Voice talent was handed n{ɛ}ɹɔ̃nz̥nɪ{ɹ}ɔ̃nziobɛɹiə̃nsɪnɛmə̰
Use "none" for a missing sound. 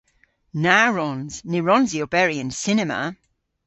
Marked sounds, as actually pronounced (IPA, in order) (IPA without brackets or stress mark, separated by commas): a, ɹ